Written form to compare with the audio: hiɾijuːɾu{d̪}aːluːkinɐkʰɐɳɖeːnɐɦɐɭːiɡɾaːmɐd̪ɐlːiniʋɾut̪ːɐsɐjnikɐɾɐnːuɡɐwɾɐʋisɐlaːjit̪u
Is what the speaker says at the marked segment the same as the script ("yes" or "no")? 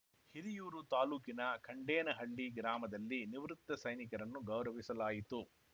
no